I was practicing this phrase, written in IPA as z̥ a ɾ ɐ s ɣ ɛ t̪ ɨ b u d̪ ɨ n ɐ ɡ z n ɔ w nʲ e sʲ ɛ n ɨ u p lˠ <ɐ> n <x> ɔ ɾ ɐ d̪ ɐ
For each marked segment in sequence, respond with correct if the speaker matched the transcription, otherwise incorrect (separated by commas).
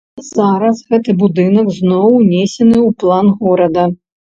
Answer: incorrect, incorrect